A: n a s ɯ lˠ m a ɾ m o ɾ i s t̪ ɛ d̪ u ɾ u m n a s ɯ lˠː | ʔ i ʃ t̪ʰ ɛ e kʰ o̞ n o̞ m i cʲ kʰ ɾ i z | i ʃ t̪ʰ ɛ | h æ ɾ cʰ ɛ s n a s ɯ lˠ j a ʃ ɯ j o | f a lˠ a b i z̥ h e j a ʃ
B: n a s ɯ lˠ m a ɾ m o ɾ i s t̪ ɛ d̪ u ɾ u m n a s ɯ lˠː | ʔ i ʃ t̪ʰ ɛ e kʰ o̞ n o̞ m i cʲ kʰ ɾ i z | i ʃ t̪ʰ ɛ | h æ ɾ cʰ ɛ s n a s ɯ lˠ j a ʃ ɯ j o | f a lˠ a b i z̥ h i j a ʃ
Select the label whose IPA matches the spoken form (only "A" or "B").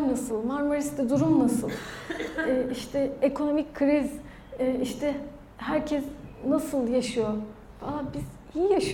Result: B